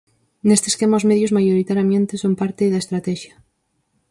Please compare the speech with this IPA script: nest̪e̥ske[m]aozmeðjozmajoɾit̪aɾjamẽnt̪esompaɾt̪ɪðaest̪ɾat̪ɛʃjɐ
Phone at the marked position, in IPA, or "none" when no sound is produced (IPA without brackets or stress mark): m